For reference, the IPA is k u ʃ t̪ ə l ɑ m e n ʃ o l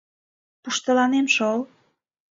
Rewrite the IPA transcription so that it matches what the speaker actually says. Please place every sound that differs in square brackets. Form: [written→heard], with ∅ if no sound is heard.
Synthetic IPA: [k→p] u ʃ t̪ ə l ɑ [m→n] e [n→m] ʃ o l

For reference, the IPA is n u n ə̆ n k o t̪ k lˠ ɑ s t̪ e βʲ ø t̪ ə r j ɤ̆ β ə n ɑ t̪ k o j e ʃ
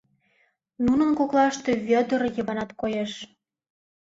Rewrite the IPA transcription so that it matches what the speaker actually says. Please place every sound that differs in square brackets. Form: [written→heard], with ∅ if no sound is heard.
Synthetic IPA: n u n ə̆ n k o [t̪→∅] k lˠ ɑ [s→ʃ] t̪ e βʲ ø [t̪→d̪] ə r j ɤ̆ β [ə→ɑ] n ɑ t̪ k o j e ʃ

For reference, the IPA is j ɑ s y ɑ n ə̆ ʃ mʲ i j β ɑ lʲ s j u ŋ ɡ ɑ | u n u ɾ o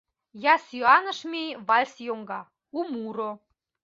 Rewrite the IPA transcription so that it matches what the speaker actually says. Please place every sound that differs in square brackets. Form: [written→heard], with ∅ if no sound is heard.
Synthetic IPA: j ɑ s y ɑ n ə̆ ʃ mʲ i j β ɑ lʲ s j [u→o] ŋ ɡ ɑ | u [n→m] u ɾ o

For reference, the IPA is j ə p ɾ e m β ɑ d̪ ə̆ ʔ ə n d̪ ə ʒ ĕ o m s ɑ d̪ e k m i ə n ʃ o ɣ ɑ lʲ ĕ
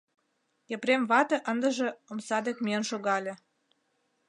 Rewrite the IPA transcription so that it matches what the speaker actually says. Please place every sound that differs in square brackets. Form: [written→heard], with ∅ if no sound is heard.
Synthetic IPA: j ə p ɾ e m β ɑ [d̪→t̪] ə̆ ʔ ə n d̪ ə ʒ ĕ o m s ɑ d̪ e k m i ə n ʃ o ɣ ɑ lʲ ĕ

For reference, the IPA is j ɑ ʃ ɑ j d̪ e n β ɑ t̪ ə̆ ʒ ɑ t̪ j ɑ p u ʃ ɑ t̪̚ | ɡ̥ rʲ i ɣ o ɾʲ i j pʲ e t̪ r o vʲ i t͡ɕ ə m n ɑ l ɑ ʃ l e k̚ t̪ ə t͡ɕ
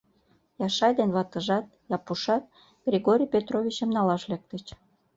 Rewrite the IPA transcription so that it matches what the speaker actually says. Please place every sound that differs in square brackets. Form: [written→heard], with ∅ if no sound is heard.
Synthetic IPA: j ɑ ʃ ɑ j d̪ e n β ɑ t̪ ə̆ ʒ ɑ t̪ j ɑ p u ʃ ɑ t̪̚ | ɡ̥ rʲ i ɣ o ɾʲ i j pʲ e t̪ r o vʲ i t͡ɕ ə m n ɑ l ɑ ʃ l e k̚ t̪ ə t͡ɕ

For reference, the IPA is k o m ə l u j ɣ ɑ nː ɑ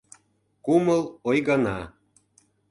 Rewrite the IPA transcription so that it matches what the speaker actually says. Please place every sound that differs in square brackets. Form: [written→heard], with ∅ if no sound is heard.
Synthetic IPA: k [o→u] m ə l [u→o] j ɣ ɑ [nː→n] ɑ

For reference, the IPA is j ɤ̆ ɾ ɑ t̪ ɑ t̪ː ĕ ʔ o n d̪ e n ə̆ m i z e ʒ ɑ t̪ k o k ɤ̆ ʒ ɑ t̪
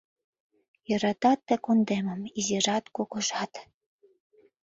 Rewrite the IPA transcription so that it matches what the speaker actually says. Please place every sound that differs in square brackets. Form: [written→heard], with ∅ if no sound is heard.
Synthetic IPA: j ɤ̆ ɾ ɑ t̪ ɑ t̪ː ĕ [ʔ→k] o n d̪ e [n→m] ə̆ m i z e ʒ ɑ t̪ k o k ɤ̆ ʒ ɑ t̪

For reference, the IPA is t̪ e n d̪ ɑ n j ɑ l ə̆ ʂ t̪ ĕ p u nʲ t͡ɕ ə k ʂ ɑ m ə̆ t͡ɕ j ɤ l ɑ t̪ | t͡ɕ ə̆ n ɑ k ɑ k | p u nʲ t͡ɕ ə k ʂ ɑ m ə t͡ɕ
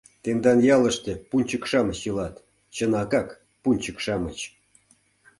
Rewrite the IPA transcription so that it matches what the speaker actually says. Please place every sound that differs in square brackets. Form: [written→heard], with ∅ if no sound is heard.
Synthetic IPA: t̪ e n d̪ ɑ n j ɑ l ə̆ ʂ t̪ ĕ p u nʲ t͡ɕ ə k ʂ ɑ m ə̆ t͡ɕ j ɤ l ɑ t̪ | t͡ɕ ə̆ n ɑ k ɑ k | p u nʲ t͡ɕ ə k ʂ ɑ m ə t͡ɕ

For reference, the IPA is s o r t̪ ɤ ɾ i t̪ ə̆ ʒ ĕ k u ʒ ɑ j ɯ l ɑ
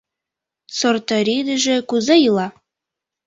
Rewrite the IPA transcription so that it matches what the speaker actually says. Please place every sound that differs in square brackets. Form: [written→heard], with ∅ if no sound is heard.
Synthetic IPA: s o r t̪ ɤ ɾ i [t̪→d̪] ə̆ ʒ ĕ k u [ʒ→z] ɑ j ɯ l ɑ

